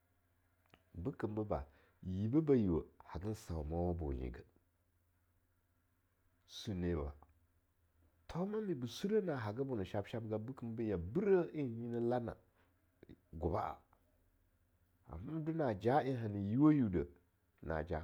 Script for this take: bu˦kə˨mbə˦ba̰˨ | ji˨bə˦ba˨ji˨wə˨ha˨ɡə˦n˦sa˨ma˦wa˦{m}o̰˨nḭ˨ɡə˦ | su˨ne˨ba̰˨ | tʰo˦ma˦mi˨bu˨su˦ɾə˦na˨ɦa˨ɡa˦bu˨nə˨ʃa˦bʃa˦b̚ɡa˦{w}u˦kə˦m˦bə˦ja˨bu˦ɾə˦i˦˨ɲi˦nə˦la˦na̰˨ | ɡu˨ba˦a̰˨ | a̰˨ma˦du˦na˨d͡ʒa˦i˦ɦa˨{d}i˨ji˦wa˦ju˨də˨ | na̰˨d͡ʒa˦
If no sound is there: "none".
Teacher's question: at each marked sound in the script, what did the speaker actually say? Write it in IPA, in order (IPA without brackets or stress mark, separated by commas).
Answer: b, b, n